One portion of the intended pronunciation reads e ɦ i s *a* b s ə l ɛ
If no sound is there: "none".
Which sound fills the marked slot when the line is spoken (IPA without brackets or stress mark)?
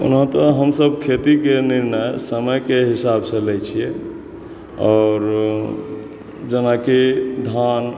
a